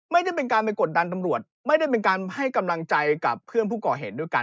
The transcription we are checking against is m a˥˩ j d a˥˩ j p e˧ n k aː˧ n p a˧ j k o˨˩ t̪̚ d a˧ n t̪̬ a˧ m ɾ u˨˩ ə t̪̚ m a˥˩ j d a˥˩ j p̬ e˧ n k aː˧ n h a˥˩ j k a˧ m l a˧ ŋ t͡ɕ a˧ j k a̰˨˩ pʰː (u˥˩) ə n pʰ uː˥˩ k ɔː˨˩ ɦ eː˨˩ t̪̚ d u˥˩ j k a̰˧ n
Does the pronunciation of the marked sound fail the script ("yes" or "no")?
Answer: yes